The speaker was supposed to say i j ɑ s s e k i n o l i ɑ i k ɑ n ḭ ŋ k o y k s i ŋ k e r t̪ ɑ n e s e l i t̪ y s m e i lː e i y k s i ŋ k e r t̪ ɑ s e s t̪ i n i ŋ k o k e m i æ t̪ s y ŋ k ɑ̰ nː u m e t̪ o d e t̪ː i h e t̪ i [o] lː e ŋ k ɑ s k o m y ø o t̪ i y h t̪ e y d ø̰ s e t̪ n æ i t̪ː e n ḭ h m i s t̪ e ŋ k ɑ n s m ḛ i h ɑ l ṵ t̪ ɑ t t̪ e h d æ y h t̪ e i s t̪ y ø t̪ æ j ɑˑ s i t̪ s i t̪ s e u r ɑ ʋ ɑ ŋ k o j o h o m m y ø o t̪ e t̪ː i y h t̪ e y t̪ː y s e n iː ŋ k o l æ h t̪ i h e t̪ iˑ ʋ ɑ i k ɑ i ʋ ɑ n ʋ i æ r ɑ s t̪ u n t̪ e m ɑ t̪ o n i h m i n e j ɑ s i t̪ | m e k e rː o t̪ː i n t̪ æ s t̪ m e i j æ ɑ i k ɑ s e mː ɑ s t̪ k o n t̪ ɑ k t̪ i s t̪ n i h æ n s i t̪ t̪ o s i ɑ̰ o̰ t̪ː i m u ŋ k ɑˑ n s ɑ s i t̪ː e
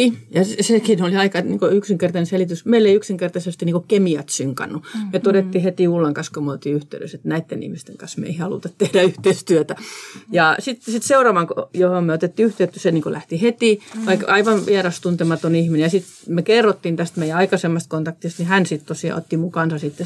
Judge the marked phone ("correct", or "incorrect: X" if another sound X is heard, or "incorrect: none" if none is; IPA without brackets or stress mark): incorrect: u